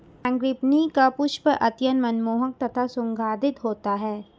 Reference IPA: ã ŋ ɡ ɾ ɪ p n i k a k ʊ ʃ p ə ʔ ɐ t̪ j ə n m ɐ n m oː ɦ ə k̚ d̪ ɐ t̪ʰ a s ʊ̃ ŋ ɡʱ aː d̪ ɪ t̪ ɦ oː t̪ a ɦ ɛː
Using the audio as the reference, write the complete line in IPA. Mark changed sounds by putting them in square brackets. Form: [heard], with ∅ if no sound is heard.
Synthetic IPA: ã ŋ ɡ ɾ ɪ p n i k a [p] ʊ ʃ p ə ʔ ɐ t̪ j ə n m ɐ n m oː ɦ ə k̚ [t̪] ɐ t̪ʰ a s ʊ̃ ŋ ɡʱ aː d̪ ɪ t̪ ɦ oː t̪ a ɦ ɛː